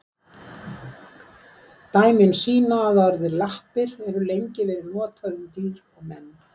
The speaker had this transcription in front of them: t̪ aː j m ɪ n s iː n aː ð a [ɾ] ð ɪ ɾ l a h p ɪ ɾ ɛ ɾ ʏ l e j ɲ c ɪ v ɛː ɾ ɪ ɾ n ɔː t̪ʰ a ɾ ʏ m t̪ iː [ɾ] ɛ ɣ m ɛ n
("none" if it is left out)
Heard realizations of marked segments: ɾ, ɾ

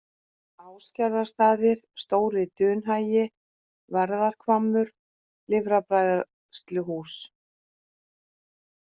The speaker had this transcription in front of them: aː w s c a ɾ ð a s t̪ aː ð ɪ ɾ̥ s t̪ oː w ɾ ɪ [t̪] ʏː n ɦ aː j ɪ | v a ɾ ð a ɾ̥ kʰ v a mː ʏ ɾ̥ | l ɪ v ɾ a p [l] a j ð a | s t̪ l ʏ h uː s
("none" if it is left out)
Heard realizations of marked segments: t̪, ɾ

